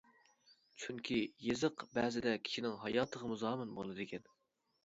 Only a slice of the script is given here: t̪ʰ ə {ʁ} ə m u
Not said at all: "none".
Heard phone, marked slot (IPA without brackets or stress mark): ʁ